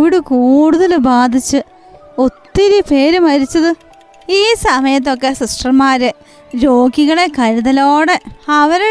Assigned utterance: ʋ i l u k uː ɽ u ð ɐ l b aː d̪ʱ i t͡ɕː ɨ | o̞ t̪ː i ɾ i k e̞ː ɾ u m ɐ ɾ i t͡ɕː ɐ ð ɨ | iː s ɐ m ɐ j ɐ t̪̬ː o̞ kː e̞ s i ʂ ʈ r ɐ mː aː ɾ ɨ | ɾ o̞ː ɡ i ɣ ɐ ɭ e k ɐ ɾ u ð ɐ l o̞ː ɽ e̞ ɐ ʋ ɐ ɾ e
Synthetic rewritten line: ʋ i ɽ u k uː ɽ u ð ɐ l b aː d̪ʱ i t͡ɕː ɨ | o̞ t̪ː i ɾ i p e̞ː ɾ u m ɐ ɾ i t͡ɕː ɐ ð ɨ | iː s ɐ m ɐ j ɐ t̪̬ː o̞ kː e̞ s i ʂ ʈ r ɐ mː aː ɾ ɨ | ɾ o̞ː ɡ i ɣ ɐ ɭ e k ɐ ɾ u ð ɐ l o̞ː ɽ e̞ ɐ ʋ ɐ ɾ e